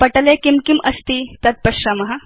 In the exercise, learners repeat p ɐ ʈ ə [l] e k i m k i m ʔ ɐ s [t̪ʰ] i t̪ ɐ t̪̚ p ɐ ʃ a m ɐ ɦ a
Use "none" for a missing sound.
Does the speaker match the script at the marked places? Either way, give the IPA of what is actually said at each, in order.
l, t̪

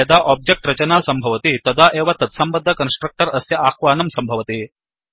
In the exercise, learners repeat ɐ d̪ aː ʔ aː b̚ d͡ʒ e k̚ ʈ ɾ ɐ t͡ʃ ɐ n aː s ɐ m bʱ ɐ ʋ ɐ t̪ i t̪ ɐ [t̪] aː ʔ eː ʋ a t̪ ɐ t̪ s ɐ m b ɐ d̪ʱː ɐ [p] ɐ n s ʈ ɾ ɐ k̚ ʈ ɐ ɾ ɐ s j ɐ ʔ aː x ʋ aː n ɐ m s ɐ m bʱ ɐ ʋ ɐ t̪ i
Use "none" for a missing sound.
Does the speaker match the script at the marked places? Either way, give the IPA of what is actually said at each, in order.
d̪, k

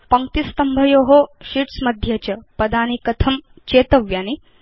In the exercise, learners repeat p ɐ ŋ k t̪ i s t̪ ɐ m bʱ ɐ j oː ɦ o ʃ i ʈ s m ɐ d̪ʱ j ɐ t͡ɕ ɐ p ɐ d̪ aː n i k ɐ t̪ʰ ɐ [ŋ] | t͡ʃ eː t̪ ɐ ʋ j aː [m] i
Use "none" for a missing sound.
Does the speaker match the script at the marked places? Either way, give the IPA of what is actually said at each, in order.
m, n

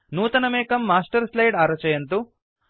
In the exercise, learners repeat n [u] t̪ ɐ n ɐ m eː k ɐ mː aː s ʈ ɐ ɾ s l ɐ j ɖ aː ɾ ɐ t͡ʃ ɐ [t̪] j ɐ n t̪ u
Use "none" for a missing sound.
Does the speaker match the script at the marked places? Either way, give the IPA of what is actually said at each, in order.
uː, none

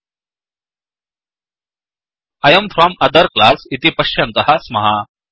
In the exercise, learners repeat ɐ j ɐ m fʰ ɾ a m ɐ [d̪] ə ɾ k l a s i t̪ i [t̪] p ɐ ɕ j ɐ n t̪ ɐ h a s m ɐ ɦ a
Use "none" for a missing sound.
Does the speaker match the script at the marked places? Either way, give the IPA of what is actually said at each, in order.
d̪, none

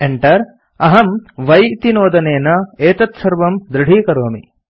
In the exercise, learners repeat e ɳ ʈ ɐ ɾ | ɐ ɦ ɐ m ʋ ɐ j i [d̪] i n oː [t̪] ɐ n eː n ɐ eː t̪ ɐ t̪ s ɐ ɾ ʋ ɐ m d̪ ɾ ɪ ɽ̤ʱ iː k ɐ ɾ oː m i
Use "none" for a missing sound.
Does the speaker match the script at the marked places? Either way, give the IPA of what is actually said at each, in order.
t̪, d̪

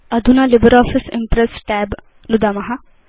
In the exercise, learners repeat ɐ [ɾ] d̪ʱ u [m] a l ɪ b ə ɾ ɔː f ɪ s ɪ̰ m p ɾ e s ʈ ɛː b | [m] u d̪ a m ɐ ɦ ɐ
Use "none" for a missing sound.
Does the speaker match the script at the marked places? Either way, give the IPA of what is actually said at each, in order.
none, n, n

